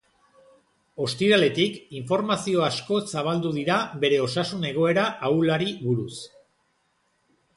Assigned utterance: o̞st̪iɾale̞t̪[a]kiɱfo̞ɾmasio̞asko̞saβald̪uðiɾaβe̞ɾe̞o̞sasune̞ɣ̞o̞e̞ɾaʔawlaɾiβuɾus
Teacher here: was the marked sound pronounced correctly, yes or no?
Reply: no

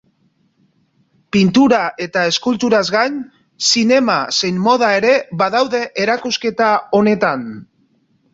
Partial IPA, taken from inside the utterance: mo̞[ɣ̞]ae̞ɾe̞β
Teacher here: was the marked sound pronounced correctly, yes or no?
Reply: no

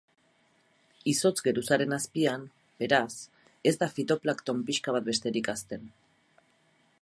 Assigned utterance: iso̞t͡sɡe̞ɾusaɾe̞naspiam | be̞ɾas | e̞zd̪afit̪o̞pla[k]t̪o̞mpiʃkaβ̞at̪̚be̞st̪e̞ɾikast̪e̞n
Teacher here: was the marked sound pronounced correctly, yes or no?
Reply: yes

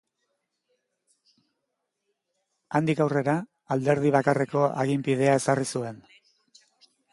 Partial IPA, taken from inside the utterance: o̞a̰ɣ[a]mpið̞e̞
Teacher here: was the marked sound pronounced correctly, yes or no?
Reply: no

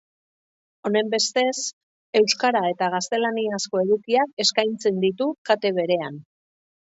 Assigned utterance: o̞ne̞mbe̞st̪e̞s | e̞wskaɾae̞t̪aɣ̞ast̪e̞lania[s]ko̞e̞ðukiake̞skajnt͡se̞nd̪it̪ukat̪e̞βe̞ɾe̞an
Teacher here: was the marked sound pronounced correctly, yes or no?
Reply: yes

